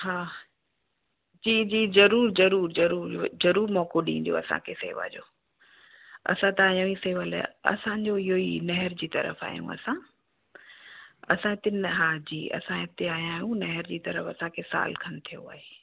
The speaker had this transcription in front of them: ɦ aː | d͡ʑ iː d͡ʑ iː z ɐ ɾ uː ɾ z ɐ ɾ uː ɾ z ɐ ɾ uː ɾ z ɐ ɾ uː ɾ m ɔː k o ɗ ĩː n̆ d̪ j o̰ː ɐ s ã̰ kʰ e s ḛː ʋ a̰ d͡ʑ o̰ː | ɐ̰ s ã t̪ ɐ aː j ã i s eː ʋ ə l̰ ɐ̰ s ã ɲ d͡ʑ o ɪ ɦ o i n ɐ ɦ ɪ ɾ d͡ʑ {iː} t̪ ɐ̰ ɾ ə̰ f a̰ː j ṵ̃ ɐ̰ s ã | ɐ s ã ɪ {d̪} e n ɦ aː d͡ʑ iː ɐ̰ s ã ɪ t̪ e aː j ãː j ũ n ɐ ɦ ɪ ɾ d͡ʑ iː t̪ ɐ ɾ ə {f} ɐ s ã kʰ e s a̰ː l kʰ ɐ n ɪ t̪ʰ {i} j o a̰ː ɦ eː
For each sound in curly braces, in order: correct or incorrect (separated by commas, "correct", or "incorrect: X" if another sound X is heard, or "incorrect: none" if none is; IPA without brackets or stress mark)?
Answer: correct, incorrect: t̪, correct, correct